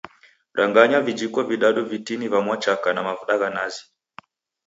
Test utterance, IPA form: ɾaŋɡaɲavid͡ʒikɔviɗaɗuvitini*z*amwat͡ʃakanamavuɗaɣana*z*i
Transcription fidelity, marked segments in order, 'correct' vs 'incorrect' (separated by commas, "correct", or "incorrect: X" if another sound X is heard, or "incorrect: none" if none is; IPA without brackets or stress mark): incorrect: v, correct